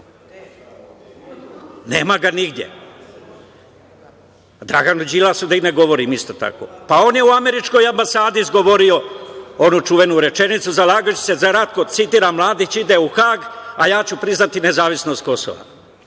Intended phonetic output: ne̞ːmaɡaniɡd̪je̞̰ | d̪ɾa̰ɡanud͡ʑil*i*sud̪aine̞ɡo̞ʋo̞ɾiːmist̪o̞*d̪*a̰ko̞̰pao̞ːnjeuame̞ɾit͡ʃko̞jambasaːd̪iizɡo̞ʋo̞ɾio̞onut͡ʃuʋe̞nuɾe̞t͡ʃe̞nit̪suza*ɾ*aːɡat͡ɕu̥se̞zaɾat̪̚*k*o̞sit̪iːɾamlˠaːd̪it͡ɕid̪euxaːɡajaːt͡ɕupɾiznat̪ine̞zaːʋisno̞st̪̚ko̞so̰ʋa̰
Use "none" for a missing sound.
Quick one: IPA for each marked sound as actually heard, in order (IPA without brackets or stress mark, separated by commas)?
a, t̪, l, k